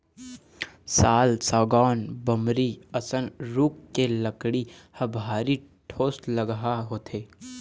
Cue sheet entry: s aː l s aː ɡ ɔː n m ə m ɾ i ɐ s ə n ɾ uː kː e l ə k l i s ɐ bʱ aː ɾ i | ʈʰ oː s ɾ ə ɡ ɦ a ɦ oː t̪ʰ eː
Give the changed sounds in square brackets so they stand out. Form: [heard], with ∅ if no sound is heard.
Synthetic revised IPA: s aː l s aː ɡ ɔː n [b] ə m ɾ i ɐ s ə n ɾ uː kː e l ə k [ɽ] i [h] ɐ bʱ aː ɾ i | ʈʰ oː s [l] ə ɡ ɦ a ɦ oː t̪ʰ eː